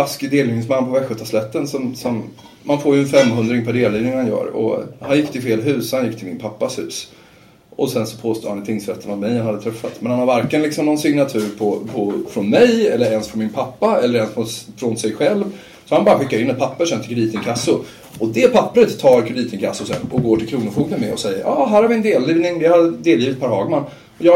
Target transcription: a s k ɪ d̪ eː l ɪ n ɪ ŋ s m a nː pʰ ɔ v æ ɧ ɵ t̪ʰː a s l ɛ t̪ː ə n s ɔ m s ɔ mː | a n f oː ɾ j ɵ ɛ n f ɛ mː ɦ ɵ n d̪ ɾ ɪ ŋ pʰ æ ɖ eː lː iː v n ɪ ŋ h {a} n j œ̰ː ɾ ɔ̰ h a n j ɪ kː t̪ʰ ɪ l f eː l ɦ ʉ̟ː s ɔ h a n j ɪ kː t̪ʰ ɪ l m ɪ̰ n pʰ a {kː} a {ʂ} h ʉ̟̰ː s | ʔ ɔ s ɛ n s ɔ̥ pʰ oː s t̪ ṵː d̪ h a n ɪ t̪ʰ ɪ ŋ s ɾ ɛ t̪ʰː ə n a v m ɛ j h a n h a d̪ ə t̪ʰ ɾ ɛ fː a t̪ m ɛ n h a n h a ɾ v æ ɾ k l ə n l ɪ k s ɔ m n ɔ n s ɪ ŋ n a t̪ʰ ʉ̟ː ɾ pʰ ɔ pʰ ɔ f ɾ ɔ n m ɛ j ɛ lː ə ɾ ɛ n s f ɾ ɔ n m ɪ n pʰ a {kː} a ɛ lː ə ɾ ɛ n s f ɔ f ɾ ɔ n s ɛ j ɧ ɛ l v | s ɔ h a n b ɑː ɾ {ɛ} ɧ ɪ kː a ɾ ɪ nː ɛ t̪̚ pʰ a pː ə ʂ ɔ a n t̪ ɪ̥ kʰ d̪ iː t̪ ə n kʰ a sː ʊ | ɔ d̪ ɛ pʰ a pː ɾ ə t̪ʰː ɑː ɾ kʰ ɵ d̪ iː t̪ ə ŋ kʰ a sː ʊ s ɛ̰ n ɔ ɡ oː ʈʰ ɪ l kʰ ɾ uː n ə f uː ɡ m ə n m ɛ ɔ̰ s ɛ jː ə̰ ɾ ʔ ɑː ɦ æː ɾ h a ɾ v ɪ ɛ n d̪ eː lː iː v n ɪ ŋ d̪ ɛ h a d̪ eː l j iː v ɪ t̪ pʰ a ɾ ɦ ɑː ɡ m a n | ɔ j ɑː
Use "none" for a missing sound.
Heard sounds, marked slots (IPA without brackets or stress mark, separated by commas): a, pː, s, pː, a